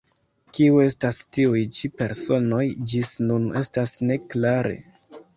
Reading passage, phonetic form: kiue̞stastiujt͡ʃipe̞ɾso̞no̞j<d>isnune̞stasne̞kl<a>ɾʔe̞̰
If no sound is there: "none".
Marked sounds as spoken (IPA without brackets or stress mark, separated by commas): d͡ʒ, a